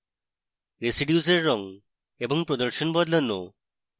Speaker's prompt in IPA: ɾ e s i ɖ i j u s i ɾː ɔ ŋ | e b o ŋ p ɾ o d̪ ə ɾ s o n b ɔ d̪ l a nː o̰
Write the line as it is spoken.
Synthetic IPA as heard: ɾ e s i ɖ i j u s e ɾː ɔ ŋ | e b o ŋ p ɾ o d̪ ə ɾ ʃ o n b ɔ d̪ l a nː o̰